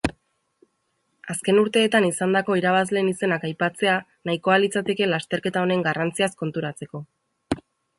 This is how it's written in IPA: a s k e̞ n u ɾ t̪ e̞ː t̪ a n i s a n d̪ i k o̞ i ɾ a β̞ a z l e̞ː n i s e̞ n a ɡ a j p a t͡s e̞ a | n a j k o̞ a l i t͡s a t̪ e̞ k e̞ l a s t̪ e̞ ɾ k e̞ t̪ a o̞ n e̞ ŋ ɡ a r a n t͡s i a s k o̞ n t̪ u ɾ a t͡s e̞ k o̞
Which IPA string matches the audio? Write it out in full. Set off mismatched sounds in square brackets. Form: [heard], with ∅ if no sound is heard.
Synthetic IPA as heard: a s k e̞ n u ɾ t̪ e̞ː t̪ a n i s a n d̪ [a] k o̞ i ɾ a β̞ a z l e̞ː n i s e̞ n a [k] a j p a t͡s e̞ a | n a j k o̞ a l i t͡s a t̪ e̞ k e̞ l a s t̪ e̞ ɾ k e̞ t̪ a o̞ n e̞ ŋ ɡ a r a n t͡s i a s k o̞ n t̪ u ɾ a t͡s e̞ k o̞

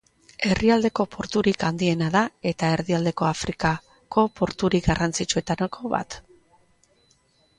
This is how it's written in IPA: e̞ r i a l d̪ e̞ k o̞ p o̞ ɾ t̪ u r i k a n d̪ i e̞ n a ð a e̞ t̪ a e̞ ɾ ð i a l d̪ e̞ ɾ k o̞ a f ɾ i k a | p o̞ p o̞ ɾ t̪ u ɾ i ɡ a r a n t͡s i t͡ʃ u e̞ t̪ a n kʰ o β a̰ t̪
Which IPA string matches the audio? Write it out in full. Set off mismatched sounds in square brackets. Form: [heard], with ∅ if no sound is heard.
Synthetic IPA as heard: e̞ r i a l d̪ e̞ k o̞ p o̞ ɾ t̪ u [ɾ] i k a n d̪ i e̞ n a ð a e̞ t̪ a e̞ ɾ ð i a l d̪ e̞ [∅] k o̞ a f ɾ i k a | [k] o̞ p o̞ ɾ t̪ u ɾ i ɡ a r a n t͡s i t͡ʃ u e̞ t̪ a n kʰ o β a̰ t̪

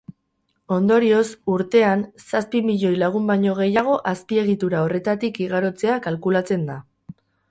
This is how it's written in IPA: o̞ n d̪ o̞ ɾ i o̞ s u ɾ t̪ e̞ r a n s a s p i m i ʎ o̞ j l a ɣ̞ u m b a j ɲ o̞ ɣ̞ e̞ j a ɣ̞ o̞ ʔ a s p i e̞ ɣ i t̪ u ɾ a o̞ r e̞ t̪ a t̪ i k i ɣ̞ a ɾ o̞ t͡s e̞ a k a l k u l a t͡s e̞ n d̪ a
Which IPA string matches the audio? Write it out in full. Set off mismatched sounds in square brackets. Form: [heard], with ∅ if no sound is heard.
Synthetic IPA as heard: o̞ n d̪ o̞ ɾ i o̞ s u ɾ t̪ e̞ [∅] a n s a s p i m i ʎ o̞ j l a ɣ̞ u m b a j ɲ o̞ ɣ̞ e̞ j a ɣ̞ o̞ ʔ a s p i e̞ ɣ i t̪ u ɾ a o̞ r e̞ t̪ a t̪ i k i ɣ̞ a ɾ o̞ t͡s e̞ a k a l k u l a t͡s e̞ n d̪ a

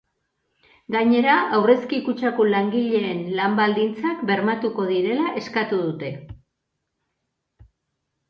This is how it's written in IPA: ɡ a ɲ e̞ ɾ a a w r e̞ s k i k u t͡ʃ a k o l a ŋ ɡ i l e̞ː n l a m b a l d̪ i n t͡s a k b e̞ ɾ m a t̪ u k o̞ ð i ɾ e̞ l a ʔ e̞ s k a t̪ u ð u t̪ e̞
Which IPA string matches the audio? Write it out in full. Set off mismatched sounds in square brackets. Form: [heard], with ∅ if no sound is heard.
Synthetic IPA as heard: ɡ a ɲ e̞ ɾ a a w r e̞ s k i k u t͡ʃ a k o l a ŋ ɡ i [ʎ] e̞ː n l a m b a l d̪ i n t͡s a k b e̞ ɾ m a t̪ u k o̞ ð i ɾ e̞ l a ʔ e̞ s k a t̪ u ð u t̪ e̞

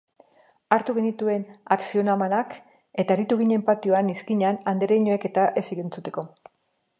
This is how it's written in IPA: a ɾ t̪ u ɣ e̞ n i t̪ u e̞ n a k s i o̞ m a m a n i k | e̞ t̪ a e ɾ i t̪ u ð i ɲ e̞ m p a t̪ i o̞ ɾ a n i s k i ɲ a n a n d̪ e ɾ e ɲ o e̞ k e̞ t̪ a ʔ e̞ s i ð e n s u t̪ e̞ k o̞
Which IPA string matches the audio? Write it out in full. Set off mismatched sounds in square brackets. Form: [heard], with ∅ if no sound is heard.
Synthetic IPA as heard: a ɾ t̪ u ɣ e̞ n i t̪ u e̞ n a k s i o̞ [n] a m a n [a] k | e̞ t̪ a e ɾ i t̪ u [ɣ] i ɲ e̞ m p a t̪ i o̞ [∅] a n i s k i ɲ a n a n d̪ e ɾ e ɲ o e̞ k e̞ t̪ a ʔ e̞ s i [ɣ] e n [t͡s] u t̪ e̞ k o̞

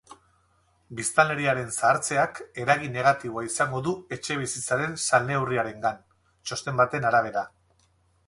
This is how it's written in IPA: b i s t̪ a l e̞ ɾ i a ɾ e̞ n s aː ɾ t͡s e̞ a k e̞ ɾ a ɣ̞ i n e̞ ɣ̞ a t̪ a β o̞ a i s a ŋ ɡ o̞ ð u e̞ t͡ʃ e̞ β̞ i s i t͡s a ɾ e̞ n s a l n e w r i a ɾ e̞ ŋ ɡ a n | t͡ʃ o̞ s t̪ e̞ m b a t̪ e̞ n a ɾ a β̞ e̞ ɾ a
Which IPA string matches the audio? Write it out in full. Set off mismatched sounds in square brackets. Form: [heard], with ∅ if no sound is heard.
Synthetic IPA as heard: b i s t̪ a l e̞ ɾ i a ɾ e̞ n s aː ɾ t͡s e̞ a k e̞ ɾ a ɣ̞ i n e̞ ɣ̞ a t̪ [i] β o̞ a i s a ŋ ɡ o̞ ð u e̞ t͡ʃ e̞ β̞ i s i t͡s a ɾ e̞ n s a l n e w r i a ɾ e̞ ŋ ɡ a n | t͡ʃ o̞ s t̪ e̞ m b a t̪ e̞ n a ɾ a β̞ e̞ ɾ a

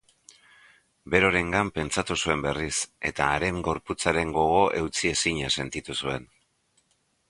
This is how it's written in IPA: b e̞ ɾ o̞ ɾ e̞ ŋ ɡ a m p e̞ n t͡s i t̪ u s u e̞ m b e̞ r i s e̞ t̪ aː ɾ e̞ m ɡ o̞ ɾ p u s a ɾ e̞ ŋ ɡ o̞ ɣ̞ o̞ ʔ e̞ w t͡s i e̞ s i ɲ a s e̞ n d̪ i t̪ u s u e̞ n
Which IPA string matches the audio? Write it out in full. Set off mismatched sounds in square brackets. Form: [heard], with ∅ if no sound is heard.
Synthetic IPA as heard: b e̞ ɾ o̞ ɾ e̞ ŋ ɡ a m p e̞ n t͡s [a] t̪ u s u e̞ m b e̞ r i s e̞ t̪ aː ɾ e̞ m ɡ o̞ ɾ p u [t͡s] a ɾ e̞ ŋ ɡ o̞ ɣ̞ o̞ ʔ e̞ w t͡s i e̞ s i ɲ a s e̞ n [t̪] i t̪ u s u e̞ n

